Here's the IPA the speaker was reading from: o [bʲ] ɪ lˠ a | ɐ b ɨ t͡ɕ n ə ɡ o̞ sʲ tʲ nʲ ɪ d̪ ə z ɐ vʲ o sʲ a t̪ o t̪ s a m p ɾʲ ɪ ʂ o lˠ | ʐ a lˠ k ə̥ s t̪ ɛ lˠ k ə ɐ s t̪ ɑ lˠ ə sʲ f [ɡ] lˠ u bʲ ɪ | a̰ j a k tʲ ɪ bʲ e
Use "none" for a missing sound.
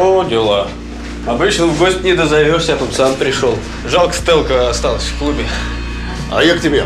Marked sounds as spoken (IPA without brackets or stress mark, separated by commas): dʲ, k